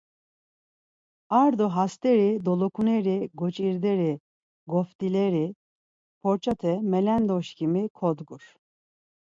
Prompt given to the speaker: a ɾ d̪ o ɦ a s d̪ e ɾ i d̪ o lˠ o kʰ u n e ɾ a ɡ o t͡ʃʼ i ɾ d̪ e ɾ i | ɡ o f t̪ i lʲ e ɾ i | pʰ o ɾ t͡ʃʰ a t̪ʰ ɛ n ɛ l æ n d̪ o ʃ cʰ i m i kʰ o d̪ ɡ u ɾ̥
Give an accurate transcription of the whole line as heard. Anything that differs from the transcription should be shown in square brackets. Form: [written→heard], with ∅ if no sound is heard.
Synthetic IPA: a ɾ d̪ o ɦ a s [d̪→t̪] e ɾ i d̪ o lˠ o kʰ u n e ɾ [a→i] ɡ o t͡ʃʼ i ɾ d̪ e ɾ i | ɡ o f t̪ i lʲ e ɾ i | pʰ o ɾ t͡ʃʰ a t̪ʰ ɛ [n→m] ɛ l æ n d̪ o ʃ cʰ i m i kʰ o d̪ ɡ u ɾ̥